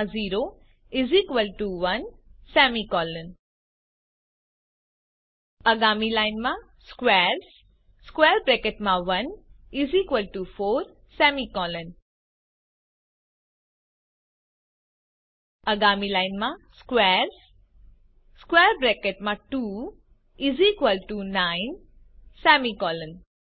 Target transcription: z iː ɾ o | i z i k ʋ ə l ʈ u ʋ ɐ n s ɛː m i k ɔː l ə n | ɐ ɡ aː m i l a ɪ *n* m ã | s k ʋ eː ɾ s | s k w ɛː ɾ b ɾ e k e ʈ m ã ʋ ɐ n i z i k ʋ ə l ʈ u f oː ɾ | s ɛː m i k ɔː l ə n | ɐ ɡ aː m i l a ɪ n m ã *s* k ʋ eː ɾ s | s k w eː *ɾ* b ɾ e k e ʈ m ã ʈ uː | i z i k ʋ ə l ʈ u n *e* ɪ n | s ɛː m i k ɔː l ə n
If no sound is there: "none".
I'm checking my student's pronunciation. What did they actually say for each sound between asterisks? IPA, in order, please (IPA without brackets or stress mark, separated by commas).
n, s, ɾ, a